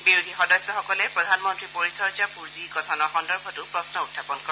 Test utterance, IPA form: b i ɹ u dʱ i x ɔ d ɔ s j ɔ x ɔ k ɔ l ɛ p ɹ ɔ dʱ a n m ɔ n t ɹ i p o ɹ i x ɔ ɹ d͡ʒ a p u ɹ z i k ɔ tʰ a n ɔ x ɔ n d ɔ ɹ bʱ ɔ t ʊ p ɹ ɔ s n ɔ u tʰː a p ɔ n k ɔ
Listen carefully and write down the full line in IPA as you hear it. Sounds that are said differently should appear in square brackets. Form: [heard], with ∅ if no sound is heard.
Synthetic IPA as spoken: b i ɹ u dʱ i x ɔ d ɔ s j ɔ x ɔ k ɔ l ɛ p ɹ ɔ dʱ a n m ɔ n t ɹ i p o ɹ i [s] ɔ ɹ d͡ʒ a p u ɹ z i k ɔ tʰ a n ɔ x ɔ n d ɔ ɹ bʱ ɔ t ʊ p ɹ ɔ s n ɔ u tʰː a p ɔ n k ɔ